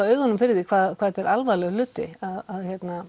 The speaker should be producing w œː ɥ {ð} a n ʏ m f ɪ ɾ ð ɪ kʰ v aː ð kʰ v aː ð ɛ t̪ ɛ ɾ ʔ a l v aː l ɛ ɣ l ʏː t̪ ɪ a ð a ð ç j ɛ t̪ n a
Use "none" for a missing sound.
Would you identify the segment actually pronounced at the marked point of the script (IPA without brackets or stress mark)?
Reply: ɣ